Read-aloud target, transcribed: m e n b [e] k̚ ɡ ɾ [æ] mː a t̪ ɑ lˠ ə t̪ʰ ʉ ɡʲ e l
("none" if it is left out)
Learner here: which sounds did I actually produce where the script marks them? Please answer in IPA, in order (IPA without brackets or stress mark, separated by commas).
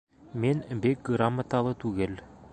e, a